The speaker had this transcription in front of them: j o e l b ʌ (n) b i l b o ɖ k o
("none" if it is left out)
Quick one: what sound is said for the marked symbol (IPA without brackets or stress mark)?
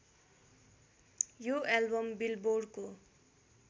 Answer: m